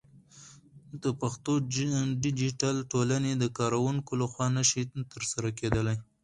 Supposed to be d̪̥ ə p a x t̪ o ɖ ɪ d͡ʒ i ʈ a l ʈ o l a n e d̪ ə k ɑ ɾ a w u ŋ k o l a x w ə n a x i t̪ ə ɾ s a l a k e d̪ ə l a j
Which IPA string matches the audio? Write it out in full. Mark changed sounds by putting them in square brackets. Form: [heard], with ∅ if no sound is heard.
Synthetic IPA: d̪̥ ə p a x t̪ o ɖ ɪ d͡ʒ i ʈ a l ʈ o l a n e d̪ ə k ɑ ɾ a w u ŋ k o l a x w [ɑ] n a [ʃ] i t̪ ə ɾ s a [ɾ] a k e d̪ ə l a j